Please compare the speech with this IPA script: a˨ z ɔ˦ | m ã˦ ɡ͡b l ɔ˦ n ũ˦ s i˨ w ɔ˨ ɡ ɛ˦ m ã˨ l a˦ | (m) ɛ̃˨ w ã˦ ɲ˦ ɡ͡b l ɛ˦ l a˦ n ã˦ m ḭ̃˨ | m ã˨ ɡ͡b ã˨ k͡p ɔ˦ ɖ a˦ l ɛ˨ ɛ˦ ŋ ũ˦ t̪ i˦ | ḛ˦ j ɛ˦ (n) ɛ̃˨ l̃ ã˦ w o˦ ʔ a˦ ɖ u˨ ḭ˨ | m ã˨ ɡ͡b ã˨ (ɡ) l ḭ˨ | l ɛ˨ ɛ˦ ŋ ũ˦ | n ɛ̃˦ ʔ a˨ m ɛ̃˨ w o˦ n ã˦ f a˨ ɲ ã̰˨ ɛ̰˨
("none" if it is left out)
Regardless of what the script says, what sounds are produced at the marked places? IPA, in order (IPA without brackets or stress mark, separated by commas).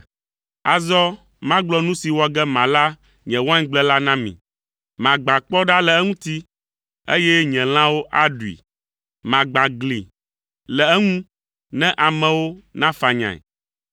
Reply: ɲ, ɲ, ɡ